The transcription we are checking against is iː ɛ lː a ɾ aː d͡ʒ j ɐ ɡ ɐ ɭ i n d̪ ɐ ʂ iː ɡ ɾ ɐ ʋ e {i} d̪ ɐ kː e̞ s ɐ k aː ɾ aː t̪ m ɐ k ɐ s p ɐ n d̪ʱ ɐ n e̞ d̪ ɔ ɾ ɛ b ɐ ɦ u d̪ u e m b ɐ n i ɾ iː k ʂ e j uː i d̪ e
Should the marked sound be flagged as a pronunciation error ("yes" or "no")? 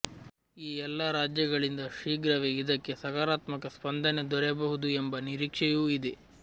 no